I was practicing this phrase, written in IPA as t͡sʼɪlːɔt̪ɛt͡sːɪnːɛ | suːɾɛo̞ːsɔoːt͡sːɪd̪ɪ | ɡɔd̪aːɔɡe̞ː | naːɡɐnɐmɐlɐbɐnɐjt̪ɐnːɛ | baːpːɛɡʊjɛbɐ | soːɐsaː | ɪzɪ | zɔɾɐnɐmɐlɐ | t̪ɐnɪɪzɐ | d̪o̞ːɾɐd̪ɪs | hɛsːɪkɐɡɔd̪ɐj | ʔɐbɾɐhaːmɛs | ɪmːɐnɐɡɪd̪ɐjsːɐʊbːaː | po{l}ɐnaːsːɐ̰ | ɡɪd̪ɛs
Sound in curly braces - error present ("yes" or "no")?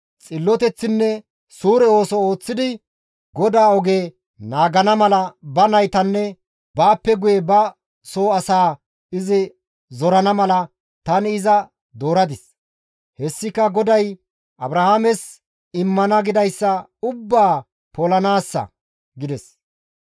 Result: no